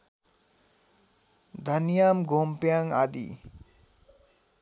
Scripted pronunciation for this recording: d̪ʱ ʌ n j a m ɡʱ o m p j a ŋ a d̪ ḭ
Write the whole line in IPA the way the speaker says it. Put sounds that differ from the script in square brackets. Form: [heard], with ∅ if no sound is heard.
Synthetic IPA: d̪ʱ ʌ n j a m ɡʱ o m p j a ŋ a d̪ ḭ